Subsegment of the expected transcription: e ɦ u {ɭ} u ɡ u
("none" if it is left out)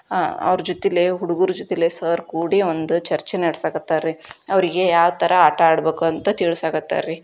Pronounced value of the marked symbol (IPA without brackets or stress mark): ɽ